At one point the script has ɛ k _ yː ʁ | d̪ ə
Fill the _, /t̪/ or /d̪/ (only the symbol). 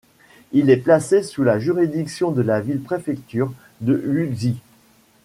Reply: t̪